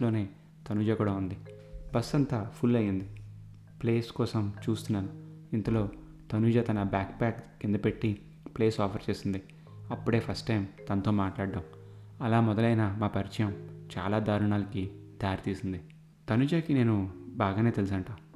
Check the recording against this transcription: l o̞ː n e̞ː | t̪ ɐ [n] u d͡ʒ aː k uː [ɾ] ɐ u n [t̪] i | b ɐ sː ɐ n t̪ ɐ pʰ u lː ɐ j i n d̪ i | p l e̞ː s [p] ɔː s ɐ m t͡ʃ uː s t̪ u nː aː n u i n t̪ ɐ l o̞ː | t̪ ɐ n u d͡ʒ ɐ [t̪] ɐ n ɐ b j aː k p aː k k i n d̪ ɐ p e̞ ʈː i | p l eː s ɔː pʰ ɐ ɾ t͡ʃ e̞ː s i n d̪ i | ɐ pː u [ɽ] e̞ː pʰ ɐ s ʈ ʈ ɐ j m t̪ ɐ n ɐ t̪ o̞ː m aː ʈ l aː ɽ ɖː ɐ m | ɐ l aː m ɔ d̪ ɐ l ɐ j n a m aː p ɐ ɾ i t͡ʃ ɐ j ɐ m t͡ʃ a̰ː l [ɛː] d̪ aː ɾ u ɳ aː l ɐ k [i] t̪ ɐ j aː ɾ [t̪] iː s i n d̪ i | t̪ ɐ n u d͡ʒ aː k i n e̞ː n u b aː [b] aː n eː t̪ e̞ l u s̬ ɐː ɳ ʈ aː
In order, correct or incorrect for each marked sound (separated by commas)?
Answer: correct, incorrect, incorrect, incorrect, correct, correct, incorrect, correct, correct, incorrect